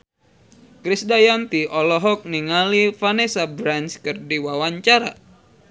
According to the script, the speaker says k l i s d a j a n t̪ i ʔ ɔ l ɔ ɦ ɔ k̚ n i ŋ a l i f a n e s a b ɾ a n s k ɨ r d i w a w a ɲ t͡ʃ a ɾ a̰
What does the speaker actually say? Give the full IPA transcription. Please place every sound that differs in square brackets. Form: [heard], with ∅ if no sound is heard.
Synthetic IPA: k [ɾ] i s d a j a n t̪ i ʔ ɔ l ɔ ɦ ɔ k̚ n i ŋ a l i f a n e s a b ɾ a n s k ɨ r d i w a w a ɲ t͡ʃ a ɾ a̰

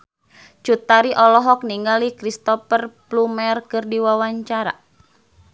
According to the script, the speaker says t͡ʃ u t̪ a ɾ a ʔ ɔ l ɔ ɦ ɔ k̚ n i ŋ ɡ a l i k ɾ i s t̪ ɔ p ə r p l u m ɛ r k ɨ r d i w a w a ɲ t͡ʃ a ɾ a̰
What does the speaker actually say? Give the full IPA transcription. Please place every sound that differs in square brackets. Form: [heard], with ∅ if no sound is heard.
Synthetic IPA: t͡ʃ u t̪ a ɾ [i] ʔ ɔ l ɔ ɦ ɔ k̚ n i ŋ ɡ a l i k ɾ i s t̪ ɔ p ə r p l u m ɛ r k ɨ r d i w a w a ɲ t͡ʃ a ɾ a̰

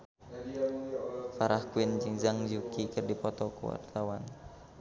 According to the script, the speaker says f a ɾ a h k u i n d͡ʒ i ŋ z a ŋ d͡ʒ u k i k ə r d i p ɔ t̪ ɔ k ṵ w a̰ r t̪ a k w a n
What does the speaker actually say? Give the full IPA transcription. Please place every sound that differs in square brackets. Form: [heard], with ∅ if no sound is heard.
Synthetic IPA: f a ɾ a h k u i n d͡ʒ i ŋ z a ŋ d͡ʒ u k i k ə r d i p ɔ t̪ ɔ k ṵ w a̰ r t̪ a [∅] w a n

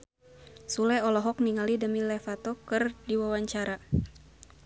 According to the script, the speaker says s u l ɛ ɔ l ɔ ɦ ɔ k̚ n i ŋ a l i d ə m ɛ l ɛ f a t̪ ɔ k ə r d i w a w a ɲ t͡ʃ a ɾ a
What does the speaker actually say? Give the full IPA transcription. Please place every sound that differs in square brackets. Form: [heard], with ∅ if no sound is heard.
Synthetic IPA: s u l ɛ ɔ l ɔ ɦ ɔ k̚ n i ŋ a l i d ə m [i] l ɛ f a t̪ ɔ k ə r d i w a w a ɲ t͡ʃ a ɾ a

